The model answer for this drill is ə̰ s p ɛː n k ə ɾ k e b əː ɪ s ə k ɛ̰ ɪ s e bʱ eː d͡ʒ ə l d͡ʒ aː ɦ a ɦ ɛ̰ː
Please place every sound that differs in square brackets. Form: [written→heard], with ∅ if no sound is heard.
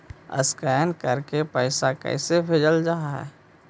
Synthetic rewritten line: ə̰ s [p→k] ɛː n k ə ɾ k e [b→p] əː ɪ s [ə→a] k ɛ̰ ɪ s e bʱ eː d͡ʒ ə l d͡ʒ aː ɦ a ɦ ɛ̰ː